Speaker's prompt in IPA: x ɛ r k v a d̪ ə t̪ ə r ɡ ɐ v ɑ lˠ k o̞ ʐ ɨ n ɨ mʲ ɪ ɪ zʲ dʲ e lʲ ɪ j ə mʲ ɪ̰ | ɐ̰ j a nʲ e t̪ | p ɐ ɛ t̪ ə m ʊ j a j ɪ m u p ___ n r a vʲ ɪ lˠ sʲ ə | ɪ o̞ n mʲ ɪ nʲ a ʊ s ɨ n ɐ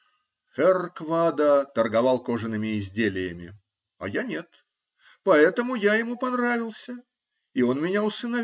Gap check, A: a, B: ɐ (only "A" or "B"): B